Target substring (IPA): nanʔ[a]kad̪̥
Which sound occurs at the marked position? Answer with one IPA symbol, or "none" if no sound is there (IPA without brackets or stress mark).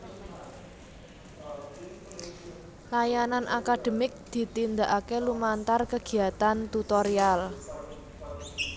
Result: a